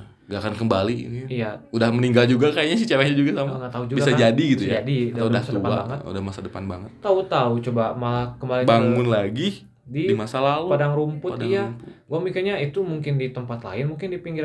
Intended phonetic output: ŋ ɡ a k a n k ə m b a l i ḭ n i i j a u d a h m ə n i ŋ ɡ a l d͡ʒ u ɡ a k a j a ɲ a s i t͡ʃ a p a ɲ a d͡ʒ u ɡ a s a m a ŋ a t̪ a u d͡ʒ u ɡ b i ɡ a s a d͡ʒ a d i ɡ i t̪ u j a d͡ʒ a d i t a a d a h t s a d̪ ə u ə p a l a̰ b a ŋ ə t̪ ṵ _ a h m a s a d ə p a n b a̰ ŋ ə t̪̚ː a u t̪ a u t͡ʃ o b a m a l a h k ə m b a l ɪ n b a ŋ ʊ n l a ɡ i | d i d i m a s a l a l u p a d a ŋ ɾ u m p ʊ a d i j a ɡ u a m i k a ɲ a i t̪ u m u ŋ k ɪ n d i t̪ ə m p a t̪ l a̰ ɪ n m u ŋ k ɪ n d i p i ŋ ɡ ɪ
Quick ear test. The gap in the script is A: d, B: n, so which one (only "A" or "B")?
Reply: A